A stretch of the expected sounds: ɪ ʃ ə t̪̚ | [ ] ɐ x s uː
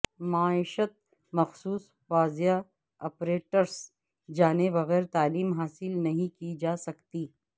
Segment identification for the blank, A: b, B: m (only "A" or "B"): B